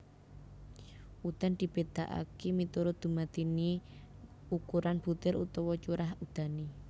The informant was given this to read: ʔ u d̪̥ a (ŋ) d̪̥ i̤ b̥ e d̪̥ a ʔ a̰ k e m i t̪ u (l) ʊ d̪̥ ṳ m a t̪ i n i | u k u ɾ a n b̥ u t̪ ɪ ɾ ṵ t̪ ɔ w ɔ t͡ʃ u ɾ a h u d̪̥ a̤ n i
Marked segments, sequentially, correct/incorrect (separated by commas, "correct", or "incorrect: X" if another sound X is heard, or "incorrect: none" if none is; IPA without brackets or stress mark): incorrect: n, incorrect: ɾ